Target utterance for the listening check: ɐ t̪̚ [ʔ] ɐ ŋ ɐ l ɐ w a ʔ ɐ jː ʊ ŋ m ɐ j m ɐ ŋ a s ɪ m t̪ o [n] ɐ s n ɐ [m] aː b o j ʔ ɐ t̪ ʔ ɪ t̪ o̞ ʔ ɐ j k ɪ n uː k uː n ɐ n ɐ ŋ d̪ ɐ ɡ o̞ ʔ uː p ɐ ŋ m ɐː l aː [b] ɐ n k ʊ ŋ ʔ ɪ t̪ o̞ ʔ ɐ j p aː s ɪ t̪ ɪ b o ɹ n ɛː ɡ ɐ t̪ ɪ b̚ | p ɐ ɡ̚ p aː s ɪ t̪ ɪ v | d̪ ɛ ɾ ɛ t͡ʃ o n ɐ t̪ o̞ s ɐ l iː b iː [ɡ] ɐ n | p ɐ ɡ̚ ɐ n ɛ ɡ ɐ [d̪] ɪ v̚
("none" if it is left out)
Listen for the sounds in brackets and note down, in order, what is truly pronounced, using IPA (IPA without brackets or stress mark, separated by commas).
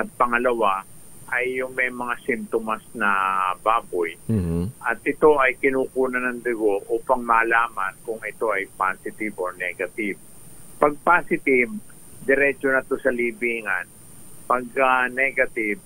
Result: p, m, b, m, ŋ, t̪